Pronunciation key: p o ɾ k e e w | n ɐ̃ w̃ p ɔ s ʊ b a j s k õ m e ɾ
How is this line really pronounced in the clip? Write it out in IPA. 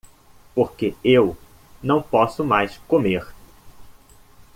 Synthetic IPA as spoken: p o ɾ k e e w | n ɐ̃ w̃ p ɔ s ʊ m a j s k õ m e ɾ